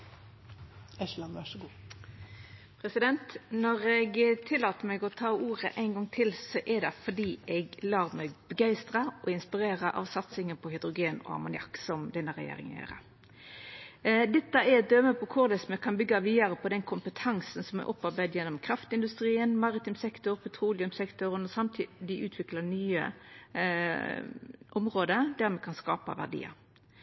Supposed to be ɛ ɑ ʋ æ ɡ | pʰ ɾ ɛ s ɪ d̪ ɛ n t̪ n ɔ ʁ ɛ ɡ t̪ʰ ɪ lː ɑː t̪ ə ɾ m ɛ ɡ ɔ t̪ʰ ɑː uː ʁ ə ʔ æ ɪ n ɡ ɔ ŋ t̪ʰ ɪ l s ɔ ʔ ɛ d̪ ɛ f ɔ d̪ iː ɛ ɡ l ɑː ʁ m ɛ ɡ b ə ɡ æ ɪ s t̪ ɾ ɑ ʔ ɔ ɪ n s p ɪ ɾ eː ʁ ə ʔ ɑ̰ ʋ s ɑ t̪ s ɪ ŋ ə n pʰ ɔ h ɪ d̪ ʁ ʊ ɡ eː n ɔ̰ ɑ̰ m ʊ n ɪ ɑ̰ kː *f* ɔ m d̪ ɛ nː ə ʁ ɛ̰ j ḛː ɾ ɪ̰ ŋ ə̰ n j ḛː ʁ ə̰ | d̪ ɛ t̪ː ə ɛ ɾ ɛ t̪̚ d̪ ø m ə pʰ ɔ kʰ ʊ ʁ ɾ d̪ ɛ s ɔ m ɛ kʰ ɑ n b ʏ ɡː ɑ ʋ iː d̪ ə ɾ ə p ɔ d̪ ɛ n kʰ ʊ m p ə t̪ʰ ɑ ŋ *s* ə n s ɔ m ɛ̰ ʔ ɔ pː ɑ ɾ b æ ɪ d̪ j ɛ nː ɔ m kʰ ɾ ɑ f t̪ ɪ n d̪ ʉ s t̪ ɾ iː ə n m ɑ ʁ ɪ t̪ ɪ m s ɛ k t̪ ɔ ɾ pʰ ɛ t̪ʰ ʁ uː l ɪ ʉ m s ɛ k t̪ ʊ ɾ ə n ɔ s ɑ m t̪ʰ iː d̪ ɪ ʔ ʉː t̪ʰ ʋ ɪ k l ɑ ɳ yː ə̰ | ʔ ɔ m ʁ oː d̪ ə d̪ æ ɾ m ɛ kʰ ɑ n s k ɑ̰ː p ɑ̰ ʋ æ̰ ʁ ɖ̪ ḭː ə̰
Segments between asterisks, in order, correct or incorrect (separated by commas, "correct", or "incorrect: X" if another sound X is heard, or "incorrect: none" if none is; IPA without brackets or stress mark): incorrect: s, correct